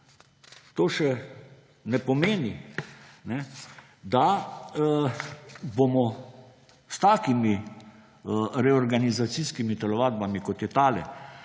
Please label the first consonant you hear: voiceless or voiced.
voiceless